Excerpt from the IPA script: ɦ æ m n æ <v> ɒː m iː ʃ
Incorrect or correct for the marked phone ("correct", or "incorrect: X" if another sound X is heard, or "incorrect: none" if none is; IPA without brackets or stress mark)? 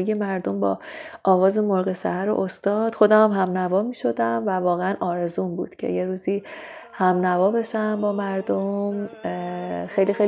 correct